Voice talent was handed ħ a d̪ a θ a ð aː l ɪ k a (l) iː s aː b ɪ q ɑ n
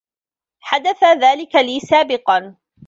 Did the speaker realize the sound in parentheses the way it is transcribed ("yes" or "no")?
yes